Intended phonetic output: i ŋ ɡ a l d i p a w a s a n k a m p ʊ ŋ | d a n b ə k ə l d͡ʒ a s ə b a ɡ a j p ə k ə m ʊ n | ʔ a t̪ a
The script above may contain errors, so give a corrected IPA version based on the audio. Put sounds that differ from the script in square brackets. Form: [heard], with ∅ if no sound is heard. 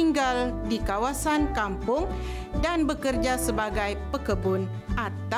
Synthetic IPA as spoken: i ŋ ɡ a l d i [k] a w a s a n k a m p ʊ ŋ | d a n b ə k ə [r] d͡ʒ a s ə b a ɡ a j p ə k ə [b] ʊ n | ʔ a t̪ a